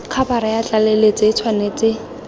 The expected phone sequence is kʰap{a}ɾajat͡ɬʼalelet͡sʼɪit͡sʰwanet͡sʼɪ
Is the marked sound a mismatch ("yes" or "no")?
no